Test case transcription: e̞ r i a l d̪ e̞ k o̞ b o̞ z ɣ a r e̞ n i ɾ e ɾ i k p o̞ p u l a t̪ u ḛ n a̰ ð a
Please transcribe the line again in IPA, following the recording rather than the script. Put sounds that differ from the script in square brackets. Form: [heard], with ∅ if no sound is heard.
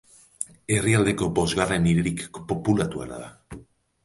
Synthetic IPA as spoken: e̞ r i a l d̪ e̞ k o̞ b o̞ z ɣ a r e̞ n i ɾ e ɾ i k p o̞ p u l a t̪ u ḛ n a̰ ð a